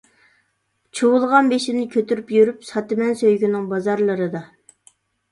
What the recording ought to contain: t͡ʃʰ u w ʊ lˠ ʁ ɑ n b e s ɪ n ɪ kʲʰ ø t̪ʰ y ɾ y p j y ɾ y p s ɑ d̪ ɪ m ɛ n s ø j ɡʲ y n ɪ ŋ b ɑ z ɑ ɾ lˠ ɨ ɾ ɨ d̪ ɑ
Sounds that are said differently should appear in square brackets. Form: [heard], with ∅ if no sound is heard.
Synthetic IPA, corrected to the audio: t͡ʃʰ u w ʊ lˠ ʁ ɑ n b e [ʃ] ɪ n ɪ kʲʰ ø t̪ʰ y ɾ y p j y ɾ y p s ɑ [t̪] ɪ m ɛ n s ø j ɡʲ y n ɪ ŋ b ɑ z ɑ ɾ lˠ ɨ ɾ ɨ d̪ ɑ